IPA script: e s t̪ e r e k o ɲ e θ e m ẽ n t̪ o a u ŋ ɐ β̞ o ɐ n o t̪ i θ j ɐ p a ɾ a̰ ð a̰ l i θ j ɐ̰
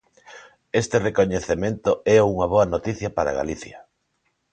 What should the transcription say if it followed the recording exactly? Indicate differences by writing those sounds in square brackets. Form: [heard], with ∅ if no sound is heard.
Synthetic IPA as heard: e s t̪ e r e k o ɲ e θ e m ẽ n t̪ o [ɛ] u ŋ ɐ β̞ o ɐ n o t̪ i θ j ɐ p a ɾ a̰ [ɣ] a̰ l i θ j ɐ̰